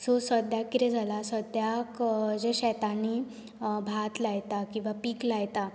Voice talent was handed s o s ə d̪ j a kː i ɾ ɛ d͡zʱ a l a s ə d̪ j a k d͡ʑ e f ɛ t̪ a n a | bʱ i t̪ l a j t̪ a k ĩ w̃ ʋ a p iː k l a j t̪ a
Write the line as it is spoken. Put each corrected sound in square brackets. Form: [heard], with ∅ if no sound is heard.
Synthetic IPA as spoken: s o s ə d̪ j a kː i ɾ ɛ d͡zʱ a l a s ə d̪ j a k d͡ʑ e [ɕ] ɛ t̪ a n [i] | bʱ [a] t̪ l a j t̪ a k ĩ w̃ ʋ a p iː k l a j t̪ a